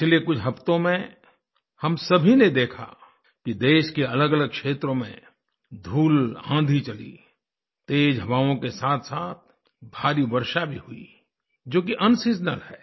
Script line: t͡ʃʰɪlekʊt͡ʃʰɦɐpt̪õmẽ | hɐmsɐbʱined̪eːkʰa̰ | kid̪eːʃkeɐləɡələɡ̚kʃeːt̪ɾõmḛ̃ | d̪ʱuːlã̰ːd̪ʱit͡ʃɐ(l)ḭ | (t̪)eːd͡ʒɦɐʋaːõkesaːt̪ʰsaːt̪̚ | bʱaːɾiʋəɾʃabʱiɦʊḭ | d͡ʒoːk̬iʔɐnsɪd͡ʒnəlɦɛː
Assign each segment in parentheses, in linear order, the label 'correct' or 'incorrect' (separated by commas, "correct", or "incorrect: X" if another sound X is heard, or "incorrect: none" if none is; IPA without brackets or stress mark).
correct, correct